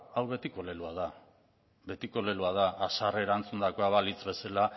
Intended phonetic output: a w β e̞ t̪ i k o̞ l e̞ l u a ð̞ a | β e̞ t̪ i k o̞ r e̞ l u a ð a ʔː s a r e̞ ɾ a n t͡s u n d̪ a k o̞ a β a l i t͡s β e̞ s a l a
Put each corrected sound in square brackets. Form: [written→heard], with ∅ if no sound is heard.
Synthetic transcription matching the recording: a w β e̞ t̪ i k o̞ l e̞ l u a ð̞ a | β e̞ t̪ i k o̞ [r→l] e̞ l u a ð a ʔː s a r e̞ ɾ a n t͡s u n d̪ a k o̞ a β a l i t͡s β e̞ s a l a

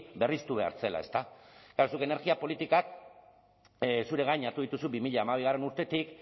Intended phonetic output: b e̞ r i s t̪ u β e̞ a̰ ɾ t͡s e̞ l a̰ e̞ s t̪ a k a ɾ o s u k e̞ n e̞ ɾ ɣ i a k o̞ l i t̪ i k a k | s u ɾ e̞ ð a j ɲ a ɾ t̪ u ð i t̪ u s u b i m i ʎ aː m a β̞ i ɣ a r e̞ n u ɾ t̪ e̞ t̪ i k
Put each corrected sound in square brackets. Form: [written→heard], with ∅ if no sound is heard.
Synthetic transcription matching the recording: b e̞ r i s t̪ u β e̞ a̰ ɾ t͡s e̞ l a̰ e̞ s t̪ a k a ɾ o s u k e̞ n e̞ ɾ ɣ i a [k→p] o̞ l i t̪ i k a k | s u ɾ e̞ [ð→ɣ] a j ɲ a ɾ t̪ u ð i t̪ u s u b i m i ʎ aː m a β̞ i ɣ a r e̞ n u ɾ t̪ e̞ t̪ i k

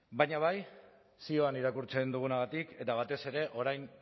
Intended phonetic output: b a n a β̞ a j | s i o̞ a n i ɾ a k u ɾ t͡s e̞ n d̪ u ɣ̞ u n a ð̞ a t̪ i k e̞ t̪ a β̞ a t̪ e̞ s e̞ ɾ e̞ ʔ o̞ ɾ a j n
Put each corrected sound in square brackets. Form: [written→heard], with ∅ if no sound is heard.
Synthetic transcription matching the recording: b a [n→ɲ] a β̞ a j | s i o̞ a n i ɾ a k u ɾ t͡s e̞ n d̪ u ɣ̞ u n a [ð̞→ɣ̞] a t̪ i k e̞ t̪ a β̞ a t̪ e̞ s e̞ ɾ e̞ ʔ o̞ ɾ a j n

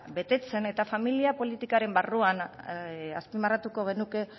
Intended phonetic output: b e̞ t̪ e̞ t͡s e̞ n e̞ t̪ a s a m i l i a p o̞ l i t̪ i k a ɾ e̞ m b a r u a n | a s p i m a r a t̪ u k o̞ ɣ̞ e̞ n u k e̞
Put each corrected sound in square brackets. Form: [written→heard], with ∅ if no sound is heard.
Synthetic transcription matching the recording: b e̞ t̪ e̞ t͡s e̞ n e̞ t̪ a [s→f] a m i l i a p o̞ l i t̪ i k a ɾ e̞ m b a r u a n | a s p i m a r a t̪ u k o̞ ɣ̞ e̞ n u k e̞

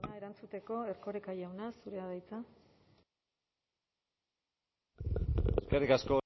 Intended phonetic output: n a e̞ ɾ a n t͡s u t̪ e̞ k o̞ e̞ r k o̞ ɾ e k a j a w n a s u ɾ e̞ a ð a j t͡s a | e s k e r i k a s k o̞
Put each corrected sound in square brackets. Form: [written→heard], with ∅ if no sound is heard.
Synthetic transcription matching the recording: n a e̞ ɾ a n t͡s u t̪ e̞ k o̞ e̞ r k o̞ ɾ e k a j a w n a s u ɾ e̞ a ð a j t͡s a | e s k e r i k a s k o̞

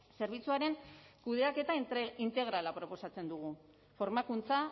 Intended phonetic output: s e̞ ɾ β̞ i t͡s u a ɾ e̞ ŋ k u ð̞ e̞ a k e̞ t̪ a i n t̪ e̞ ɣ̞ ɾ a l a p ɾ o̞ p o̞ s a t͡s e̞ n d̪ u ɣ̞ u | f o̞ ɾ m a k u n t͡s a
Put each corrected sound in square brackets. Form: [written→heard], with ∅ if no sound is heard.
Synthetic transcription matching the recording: s e̞ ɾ β̞ i t͡s u a ɾ e̞ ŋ k u ð̞ e̞ a k e̞ t̪ a i n t̪ e̞ ɣ̞ ɾ a l a p ɾ o̞ p o̞ s a t͡s e̞ n d̪ u ɣ̞ u | f o̞ ɾ m a k u n t͡s a

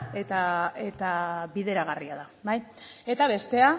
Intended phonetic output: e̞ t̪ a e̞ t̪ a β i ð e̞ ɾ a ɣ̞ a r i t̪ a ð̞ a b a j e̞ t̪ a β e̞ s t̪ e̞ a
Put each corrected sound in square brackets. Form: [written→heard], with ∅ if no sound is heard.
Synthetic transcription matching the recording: e̞ t̪ a e̞ t̪ a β i ð e̞ ɾ a ɣ̞ a r i [t̪→∅] a ð̞ a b a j e̞ t̪ a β e̞ s t̪ e̞ a

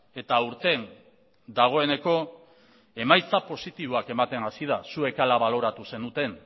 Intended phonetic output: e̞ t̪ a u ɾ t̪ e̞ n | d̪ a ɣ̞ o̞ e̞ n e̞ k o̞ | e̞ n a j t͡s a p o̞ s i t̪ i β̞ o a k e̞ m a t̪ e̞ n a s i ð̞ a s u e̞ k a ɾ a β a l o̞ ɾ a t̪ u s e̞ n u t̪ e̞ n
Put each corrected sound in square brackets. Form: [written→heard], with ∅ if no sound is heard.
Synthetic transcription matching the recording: e̞ t̪ a u ɾ t̪ e̞ n | d̪ a ɣ̞ o̞ e̞ n e̞ k o̞ | e̞ [n→m] a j t͡s a p o̞ s i t̪ i β̞ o a k e̞ m a t̪ e̞ n a s i ð̞ a s u e̞ k a [ɾ→l] a β a l o̞ ɾ a t̪ u s e̞ n u t̪ e̞ n

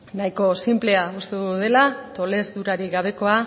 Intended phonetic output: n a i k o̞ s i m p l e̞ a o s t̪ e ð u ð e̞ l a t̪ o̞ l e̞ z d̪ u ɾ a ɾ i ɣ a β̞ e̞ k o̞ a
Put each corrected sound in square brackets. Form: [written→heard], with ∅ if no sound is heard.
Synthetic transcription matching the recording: n a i k o̞ s i m p l e̞ a [o→u] s t̪ e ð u ð e̞ l a t̪ o̞ l e̞ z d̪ u ɾ a ɾ i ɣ a β̞ e̞ k o̞ a

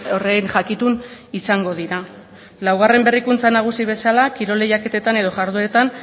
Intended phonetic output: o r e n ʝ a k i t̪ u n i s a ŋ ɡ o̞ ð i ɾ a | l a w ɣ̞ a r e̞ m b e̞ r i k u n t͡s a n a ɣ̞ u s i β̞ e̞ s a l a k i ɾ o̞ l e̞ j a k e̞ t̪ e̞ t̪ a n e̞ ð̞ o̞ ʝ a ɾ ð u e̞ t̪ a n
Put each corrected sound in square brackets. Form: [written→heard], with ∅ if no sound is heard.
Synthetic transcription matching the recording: o r e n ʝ a k i t̪ u n i s a ŋ ɡ o̞ ð i ɾ a | l a w ɣ̞ a r e̞ m b e̞ r i k u n t͡s a n a ɣ̞ u s i β̞ e̞ s a l a k i ɾ o̞ l e̞ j a k e̞ t̪ e̞ t̪ a n e̞ ð̞ o̞ ʝ a ɾ ð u e̞ t̪ a n

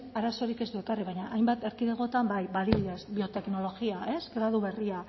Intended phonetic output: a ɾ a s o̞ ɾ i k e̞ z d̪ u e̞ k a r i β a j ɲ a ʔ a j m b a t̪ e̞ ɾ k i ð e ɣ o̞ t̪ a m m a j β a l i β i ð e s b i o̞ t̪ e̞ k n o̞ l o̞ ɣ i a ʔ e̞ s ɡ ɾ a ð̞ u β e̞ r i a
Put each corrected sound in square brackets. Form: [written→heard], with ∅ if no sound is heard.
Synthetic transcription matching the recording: a ɾ a s o̞ ɾ i k e̞ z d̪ u e̞ k a r i β a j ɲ a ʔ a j m b a t̪ e̞ ɾ k i ð e ɣ o̞ t̪ a m [m→b] a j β a l i β i ð e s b i o̞ t̪ e̞ k n o̞ l o̞ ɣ i a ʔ e̞ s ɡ ɾ a ð̞ u β e̞ r i a

